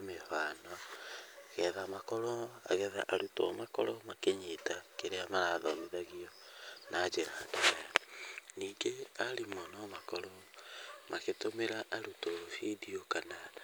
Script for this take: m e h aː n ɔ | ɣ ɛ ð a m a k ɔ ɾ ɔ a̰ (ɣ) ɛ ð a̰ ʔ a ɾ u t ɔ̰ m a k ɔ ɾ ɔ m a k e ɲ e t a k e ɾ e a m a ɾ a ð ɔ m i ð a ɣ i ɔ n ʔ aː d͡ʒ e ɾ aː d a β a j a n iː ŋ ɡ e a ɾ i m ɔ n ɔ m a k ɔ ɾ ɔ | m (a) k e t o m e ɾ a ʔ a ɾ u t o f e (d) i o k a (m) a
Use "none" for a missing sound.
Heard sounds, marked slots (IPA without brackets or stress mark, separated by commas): ɣ, a, d, n